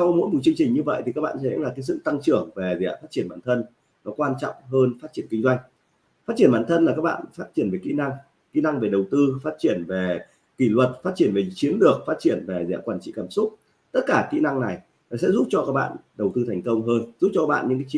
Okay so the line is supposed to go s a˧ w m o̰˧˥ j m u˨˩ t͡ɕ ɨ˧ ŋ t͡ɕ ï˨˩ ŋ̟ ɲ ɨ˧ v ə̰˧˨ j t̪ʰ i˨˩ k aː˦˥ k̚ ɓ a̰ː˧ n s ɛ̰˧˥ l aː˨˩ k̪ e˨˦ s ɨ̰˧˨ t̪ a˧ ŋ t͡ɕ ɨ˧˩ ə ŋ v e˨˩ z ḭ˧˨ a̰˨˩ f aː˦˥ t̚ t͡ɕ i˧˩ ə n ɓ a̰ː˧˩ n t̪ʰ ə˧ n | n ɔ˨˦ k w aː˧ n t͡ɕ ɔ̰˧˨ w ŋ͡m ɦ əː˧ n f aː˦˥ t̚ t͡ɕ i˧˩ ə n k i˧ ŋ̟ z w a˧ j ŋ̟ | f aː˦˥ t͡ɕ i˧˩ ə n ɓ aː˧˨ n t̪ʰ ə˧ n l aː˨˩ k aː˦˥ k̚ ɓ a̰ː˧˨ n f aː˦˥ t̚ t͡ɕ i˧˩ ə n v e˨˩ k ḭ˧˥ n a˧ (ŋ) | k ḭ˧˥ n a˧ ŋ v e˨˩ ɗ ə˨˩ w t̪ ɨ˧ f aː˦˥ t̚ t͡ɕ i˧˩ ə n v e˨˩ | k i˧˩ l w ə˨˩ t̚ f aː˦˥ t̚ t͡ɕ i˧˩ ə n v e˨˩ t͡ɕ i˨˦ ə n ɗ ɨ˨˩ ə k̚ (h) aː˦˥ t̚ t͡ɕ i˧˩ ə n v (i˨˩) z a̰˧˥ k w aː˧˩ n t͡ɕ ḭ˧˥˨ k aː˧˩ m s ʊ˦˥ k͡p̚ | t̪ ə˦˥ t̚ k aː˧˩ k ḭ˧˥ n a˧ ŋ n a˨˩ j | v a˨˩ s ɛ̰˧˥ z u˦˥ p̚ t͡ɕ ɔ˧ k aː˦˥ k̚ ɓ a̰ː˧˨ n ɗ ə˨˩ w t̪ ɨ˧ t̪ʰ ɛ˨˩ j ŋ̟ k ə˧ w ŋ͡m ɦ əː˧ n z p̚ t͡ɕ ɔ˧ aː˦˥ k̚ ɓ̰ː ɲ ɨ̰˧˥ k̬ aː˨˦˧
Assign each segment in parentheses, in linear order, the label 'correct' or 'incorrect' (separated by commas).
correct, incorrect, incorrect